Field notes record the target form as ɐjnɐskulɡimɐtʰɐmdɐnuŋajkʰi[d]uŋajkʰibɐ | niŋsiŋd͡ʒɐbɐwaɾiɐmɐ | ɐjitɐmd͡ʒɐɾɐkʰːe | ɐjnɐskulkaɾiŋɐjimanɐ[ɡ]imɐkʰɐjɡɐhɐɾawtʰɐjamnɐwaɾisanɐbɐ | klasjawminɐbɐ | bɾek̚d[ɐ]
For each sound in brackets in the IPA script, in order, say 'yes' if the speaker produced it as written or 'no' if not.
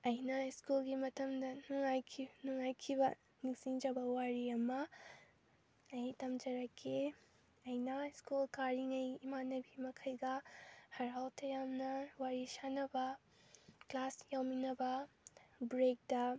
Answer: no, no, yes

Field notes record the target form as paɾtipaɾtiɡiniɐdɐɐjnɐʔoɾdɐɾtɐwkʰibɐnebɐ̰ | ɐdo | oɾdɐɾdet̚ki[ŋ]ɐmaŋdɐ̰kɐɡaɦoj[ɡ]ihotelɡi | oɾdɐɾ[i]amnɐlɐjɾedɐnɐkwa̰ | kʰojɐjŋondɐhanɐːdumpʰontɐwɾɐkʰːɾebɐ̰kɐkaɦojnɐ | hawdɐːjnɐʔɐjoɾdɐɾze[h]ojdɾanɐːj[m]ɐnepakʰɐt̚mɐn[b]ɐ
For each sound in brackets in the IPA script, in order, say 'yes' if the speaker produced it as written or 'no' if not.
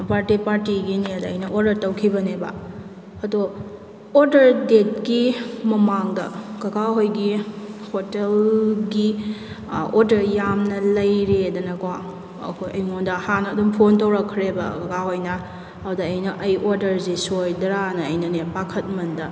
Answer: no, yes, no, no, no, no

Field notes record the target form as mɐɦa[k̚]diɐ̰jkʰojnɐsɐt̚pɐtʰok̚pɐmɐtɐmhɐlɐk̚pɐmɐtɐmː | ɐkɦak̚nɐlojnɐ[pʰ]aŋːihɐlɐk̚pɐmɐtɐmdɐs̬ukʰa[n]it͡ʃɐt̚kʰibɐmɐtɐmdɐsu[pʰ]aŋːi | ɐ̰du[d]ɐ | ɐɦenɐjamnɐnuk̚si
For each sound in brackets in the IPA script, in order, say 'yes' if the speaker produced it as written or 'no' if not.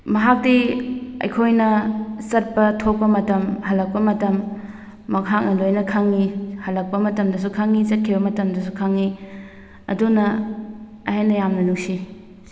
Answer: yes, no, no, no, no

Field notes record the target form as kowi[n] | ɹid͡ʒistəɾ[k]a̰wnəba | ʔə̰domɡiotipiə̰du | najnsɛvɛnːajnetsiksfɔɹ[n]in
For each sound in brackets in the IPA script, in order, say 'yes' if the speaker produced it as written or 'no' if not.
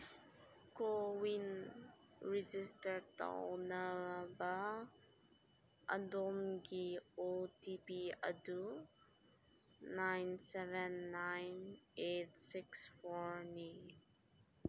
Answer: yes, no, yes

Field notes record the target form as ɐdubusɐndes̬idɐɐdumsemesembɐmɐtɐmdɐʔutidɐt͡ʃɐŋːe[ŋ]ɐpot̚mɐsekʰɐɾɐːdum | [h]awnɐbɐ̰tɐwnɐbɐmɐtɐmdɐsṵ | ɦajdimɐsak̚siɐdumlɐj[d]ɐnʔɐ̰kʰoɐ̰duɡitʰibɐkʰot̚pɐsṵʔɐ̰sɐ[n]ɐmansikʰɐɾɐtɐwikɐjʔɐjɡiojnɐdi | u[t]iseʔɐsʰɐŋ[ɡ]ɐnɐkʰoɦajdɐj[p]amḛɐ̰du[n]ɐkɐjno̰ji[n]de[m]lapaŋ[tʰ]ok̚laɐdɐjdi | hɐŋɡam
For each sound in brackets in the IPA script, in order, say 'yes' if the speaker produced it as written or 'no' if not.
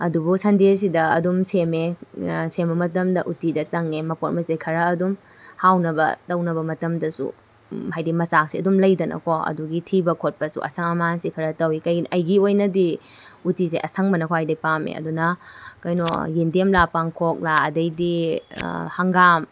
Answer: no, yes, yes, no, yes, no, yes, yes, yes, yes, no

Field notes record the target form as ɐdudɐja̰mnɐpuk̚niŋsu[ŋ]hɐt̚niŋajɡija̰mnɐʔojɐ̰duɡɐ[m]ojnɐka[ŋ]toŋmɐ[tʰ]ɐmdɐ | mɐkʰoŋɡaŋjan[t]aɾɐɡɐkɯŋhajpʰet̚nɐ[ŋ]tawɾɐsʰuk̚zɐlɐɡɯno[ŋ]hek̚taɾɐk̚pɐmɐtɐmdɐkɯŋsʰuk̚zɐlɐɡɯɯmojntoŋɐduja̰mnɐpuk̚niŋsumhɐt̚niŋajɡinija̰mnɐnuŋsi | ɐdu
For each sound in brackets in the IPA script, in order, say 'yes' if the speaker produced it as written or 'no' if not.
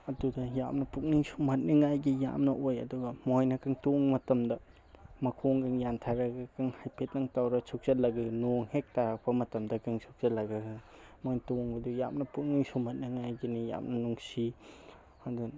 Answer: no, yes, yes, no, no, yes, yes

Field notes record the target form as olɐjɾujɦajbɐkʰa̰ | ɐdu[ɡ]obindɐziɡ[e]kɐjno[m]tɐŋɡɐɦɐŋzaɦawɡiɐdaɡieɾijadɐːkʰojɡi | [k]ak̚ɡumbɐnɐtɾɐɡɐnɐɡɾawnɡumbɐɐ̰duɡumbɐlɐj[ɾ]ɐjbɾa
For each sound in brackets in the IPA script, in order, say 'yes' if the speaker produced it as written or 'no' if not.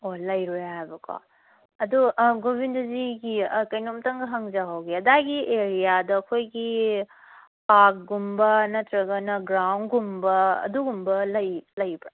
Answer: yes, no, yes, no, no

